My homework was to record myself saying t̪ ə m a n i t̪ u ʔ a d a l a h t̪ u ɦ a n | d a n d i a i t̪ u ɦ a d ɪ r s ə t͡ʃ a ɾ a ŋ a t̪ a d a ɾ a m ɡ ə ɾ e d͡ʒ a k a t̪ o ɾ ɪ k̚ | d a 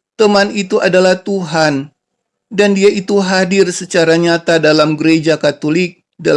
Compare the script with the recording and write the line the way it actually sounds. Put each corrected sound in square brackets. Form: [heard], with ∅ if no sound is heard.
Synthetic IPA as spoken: t̪ ə m a n i t̪ u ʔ a d a l a h t̪ u ɦ a n | d a n d i a i t̪ u ɦ a d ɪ r s ə t͡ʃ a ɾ a [ɲ] a t̪ a d a [l] a m ɡ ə ɾ e d͡ʒ a k a t̪ o [l] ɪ k̚ | d a